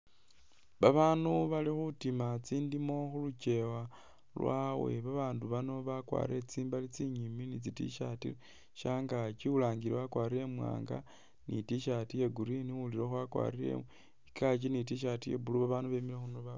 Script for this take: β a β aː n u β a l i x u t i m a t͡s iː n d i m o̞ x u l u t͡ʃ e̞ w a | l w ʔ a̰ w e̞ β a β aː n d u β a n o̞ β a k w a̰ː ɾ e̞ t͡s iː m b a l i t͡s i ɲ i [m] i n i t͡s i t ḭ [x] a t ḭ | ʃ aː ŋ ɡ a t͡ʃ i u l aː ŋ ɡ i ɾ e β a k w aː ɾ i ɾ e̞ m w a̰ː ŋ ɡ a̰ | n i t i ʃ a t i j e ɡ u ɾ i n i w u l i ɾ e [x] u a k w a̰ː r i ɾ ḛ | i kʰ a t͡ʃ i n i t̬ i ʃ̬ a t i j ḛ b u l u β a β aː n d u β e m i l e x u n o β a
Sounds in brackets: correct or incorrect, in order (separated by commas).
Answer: correct, incorrect, correct